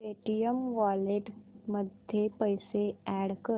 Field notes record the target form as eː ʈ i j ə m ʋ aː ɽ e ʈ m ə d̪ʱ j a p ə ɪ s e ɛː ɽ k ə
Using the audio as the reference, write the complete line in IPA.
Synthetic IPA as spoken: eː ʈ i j ə m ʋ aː l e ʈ m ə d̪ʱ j e p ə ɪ s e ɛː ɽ k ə